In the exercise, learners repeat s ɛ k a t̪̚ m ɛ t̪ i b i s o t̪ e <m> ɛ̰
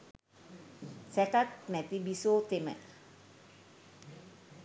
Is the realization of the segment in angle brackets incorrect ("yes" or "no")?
no